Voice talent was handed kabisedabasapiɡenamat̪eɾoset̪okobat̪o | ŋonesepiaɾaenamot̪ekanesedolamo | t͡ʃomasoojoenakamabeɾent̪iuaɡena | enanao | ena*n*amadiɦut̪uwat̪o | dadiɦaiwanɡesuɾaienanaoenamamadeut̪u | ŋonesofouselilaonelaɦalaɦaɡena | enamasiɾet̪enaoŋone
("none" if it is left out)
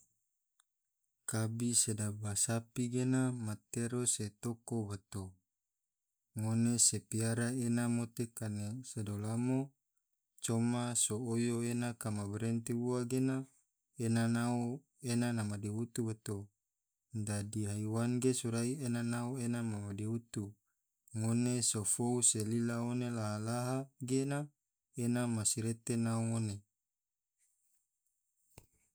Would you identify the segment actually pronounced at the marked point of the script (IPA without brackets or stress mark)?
n